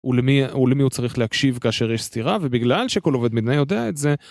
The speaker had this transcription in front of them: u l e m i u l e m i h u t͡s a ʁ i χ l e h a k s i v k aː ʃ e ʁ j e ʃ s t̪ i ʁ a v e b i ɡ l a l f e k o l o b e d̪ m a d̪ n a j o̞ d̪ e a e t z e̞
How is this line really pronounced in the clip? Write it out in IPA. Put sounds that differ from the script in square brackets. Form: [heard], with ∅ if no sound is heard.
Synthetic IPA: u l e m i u l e m i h u t͡s a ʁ i χ l e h a k [ʃ] i v k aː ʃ e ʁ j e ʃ s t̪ i ʁ a v e b i ɡ l a l [ʃ] e k o l o [v] e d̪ m [i] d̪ n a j o̞ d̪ e a e t z e̞